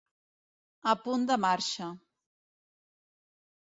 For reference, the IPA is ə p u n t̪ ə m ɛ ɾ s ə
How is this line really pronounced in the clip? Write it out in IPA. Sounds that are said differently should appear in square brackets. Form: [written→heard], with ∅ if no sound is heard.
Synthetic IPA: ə p u n [t̪→d̪] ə m [ɛ→a] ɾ [s→ʃ] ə